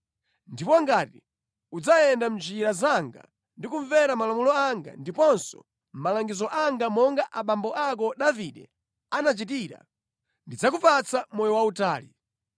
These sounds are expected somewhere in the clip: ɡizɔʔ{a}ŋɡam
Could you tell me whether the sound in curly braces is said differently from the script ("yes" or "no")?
no